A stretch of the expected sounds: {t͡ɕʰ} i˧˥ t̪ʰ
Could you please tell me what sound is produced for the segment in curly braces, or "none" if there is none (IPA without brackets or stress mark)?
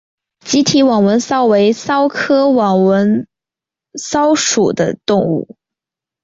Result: t͡ɕ